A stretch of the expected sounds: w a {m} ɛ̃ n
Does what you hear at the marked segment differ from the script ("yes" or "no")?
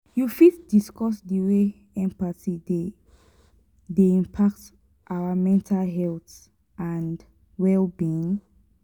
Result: no